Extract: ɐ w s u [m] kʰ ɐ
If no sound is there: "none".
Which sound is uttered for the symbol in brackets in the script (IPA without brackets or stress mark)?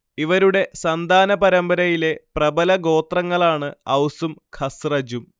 m